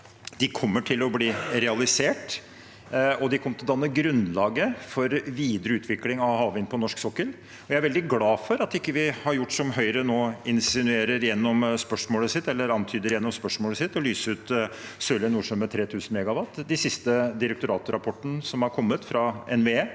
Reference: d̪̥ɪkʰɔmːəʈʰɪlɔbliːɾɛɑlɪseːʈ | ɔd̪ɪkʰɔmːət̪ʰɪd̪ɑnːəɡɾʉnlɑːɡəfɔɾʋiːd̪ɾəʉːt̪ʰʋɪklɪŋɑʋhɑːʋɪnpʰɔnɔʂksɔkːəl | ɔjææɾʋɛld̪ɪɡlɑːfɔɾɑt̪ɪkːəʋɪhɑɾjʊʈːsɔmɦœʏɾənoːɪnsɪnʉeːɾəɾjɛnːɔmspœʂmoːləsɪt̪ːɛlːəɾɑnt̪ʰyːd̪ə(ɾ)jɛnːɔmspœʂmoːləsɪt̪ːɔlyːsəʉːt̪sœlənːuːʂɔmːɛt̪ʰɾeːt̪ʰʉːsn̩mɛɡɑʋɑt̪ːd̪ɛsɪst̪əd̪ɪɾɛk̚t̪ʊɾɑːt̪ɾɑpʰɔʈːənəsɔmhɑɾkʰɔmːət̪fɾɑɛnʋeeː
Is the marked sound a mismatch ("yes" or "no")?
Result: no